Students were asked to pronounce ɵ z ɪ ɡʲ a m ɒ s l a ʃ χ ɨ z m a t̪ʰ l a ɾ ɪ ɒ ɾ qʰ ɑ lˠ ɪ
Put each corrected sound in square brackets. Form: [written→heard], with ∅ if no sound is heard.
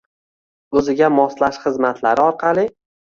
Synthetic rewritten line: ɵ z ɪ ɡʲ a m ɒ s l a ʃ χ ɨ z m a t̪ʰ l a ɾ ɪ ɒ ɾ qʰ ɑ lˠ ɪ